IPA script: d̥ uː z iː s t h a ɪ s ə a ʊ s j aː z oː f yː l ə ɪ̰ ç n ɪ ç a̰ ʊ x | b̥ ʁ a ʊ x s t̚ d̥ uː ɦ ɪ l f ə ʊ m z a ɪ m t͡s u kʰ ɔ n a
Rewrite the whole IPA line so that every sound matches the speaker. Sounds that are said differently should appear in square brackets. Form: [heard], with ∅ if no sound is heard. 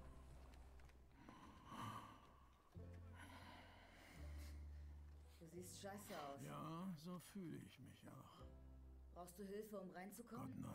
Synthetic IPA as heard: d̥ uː z iː s t [ʃ] a ɪ s ə a ʊ s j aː z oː f yː l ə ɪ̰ ç [m] ɪ ç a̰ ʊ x | b̥ ʁ a ʊ x s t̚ d̥ uː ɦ ɪ l f ə ʊ m [ʁ] a ɪ [n] t͡s u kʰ ɔ n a